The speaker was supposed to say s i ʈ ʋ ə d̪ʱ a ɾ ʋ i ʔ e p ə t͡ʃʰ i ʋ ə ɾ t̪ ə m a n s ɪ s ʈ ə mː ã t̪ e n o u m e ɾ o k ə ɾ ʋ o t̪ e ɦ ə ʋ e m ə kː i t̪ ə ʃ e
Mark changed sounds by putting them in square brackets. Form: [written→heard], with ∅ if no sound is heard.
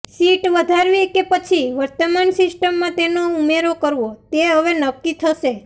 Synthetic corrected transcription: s i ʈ ʋ ə d̪ʱ a ɾ ʋ i [ʔ→k] e p ə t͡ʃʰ i ʋ ə ɾ t̪ ə m a n s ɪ s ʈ ə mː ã t̪ e n o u m e ɾ o k ə ɾ ʋ o t̪ e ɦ ə ʋ e [m→n] ə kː i [t̪→t̪ʰ] ə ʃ e